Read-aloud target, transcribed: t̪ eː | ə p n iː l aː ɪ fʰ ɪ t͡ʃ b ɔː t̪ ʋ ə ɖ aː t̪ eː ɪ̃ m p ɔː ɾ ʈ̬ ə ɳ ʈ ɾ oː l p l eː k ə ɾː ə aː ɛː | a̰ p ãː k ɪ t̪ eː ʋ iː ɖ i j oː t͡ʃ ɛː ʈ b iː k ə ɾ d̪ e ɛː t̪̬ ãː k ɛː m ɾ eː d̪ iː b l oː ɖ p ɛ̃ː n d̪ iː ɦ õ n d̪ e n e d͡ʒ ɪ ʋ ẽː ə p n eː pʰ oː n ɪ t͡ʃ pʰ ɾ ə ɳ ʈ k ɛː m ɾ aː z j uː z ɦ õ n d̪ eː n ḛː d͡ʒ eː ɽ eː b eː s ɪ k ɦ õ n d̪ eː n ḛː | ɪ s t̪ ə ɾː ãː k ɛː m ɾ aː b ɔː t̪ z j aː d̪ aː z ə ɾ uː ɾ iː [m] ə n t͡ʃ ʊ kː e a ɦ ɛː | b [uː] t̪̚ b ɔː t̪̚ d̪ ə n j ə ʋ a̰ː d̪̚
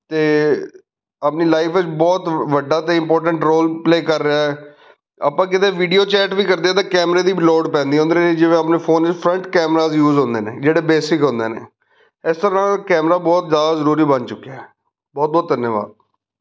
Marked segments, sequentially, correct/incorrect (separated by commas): incorrect, incorrect